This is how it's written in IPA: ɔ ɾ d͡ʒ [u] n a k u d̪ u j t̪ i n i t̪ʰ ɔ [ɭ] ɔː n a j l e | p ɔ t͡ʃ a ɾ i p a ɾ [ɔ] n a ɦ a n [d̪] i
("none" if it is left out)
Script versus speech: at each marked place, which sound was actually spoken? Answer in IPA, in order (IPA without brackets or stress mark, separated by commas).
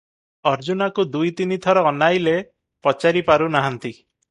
u, ɾ, u, t̪